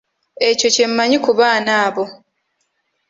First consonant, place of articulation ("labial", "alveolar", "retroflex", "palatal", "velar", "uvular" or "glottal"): palatal